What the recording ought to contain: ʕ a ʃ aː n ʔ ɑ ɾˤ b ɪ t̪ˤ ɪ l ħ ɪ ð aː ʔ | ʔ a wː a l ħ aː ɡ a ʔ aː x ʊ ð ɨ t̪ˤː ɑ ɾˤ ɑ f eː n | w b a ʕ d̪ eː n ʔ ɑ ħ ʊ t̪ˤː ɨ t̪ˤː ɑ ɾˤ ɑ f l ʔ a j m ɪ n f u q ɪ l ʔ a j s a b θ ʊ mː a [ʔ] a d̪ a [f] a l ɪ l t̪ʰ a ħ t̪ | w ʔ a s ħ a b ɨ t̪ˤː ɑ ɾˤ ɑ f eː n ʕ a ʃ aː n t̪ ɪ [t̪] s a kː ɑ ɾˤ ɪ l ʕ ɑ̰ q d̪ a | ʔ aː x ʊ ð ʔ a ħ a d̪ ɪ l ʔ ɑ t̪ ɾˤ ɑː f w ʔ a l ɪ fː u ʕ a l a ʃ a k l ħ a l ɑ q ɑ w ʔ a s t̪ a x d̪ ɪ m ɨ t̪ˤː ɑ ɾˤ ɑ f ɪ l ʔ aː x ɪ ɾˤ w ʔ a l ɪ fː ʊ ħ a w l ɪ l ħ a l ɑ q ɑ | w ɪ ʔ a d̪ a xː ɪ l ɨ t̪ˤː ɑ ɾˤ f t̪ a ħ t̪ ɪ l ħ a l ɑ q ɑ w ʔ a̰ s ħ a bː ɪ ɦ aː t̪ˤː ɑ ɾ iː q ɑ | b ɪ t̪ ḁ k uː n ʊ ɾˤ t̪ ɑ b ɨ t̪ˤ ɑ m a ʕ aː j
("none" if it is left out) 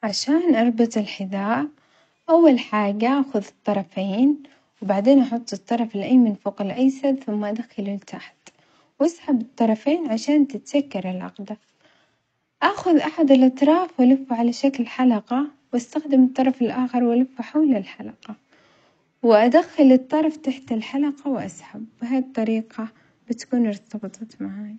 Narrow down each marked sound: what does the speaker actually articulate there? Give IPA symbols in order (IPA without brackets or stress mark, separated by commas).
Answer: ʔ, x, t̪